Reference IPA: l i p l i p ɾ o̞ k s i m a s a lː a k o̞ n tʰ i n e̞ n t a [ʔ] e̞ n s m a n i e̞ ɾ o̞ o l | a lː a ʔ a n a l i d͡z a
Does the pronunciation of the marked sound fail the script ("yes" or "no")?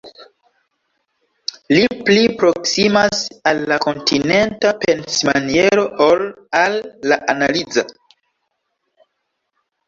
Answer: yes